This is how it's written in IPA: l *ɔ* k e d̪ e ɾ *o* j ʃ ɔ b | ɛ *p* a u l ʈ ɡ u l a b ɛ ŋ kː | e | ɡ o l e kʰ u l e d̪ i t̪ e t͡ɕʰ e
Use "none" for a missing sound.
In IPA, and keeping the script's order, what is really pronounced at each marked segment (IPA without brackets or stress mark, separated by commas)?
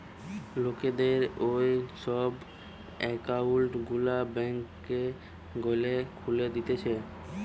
o, o, k